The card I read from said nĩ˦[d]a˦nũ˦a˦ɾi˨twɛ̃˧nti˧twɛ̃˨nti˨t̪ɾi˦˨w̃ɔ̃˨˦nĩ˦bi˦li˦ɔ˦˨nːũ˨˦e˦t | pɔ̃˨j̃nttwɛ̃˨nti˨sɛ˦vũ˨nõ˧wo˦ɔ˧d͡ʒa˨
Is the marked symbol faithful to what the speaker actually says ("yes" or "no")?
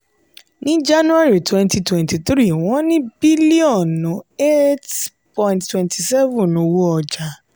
no